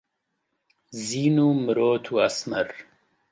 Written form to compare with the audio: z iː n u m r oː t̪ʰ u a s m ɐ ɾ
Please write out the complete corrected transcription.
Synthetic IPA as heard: z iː n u m ɾ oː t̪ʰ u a s m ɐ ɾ

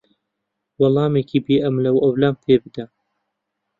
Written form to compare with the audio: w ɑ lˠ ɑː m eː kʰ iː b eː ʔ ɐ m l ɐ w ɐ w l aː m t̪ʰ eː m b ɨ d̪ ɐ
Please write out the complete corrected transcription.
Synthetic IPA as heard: w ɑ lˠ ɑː m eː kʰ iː b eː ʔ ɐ m l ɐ w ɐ w l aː m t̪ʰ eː b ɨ d̪ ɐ

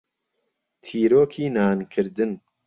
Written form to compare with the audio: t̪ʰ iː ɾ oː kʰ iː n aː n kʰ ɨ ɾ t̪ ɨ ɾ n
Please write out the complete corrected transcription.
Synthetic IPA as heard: t̪ʰ iː ɾ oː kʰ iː n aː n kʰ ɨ ɾ d̪ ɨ n

